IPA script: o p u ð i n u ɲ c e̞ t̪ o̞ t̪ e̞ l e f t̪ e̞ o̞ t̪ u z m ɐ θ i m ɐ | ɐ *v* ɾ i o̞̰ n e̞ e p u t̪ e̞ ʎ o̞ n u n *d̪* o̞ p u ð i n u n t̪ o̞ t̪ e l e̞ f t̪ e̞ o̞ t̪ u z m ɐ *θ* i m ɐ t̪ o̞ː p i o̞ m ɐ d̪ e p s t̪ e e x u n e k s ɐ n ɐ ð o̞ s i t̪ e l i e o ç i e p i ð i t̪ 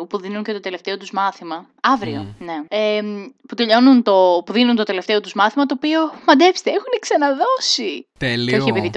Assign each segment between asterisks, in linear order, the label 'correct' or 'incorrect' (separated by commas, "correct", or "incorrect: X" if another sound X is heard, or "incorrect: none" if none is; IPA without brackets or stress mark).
correct, incorrect: t̪, correct